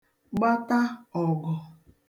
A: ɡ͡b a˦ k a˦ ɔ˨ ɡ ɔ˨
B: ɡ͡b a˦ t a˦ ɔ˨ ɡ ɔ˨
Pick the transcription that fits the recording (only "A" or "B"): B